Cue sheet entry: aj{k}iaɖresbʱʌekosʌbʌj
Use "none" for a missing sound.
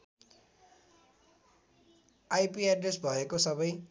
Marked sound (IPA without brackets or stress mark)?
p